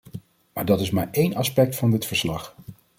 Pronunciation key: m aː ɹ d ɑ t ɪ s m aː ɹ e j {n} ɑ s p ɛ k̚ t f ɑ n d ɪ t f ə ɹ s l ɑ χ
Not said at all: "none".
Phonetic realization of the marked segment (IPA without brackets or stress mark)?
n